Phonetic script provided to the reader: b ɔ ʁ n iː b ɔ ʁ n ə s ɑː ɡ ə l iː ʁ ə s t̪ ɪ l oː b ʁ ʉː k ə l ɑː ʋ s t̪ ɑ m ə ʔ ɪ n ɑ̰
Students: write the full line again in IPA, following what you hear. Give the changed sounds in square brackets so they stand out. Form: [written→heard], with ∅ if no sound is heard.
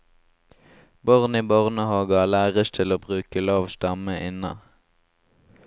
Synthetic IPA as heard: b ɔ ʁ n iː b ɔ ʁ n ə [s→h] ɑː ɡ [ə→ɑ] l [iː→æː] ʁ ə s [t̪→t̪ʰ] ɪ l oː b ʁ ʉː k ə l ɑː ʋ s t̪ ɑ m ə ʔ ɪ n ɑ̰

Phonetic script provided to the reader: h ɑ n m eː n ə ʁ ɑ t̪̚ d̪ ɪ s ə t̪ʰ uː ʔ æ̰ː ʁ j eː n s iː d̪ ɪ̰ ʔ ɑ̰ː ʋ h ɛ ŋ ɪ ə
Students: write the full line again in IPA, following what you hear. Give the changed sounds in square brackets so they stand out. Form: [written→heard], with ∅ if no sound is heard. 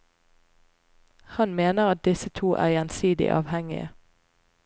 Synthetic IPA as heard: h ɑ n m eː n ə ʁ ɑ t̪̚ d̪ ɪ s ə t̪ʰ uː ʔ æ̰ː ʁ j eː n s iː d̪ ɪ̰ ʔ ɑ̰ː ʋ h ɛ ŋ ɪ ə

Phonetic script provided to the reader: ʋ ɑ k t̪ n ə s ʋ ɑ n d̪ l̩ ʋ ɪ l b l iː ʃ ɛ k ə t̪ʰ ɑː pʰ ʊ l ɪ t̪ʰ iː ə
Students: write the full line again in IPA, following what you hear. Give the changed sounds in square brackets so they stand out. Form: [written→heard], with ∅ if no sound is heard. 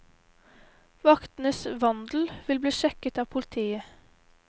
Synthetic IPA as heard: ʋ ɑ k t̪ n ə s ʋ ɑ n d̪ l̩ ʋ ɪ l b l iː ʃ ɛ k ə [t̪ʰ→t̪] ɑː pʰ ʊ l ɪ t̪ʰ iː ə

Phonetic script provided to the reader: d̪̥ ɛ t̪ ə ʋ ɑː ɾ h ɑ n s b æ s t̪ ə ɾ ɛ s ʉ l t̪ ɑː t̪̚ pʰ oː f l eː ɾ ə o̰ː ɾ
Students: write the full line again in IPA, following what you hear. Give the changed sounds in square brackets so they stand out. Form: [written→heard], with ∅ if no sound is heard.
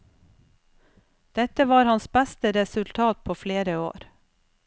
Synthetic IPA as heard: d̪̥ ɛ t̪ ə ʋ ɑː ɾ h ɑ n s b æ s t̪ ə ɾ ɛ s ʉ l [t̪→t̪ʰ] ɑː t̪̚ pʰ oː f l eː ɾ ə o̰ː ɾ

